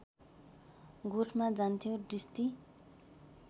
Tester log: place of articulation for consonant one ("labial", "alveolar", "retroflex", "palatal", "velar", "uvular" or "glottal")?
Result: velar